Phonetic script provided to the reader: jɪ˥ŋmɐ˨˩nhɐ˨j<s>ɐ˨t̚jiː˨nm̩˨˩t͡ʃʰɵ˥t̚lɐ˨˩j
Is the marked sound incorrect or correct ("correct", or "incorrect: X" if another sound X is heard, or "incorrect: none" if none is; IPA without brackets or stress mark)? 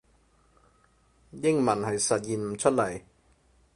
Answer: correct